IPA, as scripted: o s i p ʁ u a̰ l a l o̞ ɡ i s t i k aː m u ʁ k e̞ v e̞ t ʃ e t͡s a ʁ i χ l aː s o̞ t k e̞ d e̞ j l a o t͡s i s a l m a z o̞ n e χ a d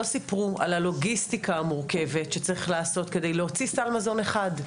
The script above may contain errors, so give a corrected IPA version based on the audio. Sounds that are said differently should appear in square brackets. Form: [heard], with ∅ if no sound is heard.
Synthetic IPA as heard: o s i p ʁ u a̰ l a l o̞ ɡ i s t i k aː m u ʁ k e̞ v e̞ t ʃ e t͡s a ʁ i χ l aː s o̞ t k e̞ d e̞ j l [e] o t͡s i s a l m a z o̞ n e χ a d